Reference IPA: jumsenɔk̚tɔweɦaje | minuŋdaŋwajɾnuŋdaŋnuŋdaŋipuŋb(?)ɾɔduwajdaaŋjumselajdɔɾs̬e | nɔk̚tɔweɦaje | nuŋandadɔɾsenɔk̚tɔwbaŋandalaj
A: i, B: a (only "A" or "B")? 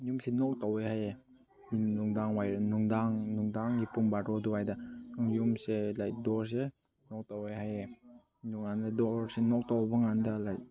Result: B